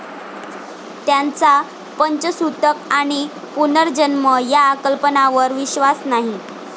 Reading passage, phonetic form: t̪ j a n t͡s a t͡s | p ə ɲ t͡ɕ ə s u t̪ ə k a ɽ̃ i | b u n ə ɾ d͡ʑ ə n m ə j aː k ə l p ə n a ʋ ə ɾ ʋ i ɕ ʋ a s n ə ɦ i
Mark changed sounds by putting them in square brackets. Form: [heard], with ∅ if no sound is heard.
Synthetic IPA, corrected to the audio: t̪ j a n t͡s a [∅] | p ə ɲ t͡ɕ ə s u t̪ ə k a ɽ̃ i | [p] u n ə ɾ d͡ʑ ə n m ə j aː k ə l p ə n a ʋ ə ɾ ʋ i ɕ ʋ a s n [a] ɦ i